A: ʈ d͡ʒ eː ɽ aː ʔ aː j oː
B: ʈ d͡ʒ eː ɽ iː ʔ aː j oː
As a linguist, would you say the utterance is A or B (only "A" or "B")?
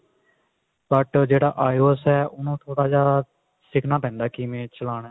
A